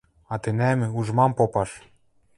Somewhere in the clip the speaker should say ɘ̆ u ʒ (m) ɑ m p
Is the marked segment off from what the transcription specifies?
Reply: no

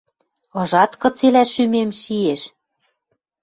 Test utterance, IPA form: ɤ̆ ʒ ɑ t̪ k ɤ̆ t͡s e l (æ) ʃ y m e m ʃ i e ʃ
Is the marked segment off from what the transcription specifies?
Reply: no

